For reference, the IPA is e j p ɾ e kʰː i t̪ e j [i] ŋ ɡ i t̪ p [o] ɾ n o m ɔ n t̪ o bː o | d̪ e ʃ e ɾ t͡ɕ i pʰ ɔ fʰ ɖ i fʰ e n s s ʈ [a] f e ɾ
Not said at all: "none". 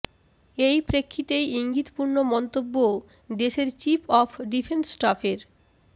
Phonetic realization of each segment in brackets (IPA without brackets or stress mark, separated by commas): i, u, a